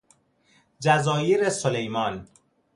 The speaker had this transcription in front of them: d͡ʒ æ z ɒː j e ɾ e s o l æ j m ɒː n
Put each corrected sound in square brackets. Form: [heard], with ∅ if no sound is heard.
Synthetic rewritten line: d͡ʒ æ z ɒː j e ɾ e s o l [e] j m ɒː n